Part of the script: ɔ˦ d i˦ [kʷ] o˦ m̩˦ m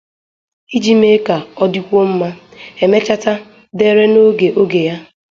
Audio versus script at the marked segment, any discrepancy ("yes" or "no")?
no